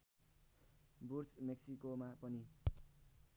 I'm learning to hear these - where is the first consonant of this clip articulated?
lips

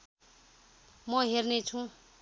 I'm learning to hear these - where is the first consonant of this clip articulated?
lips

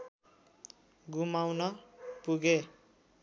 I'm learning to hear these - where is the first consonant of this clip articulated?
velum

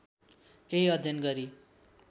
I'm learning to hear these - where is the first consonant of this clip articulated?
velum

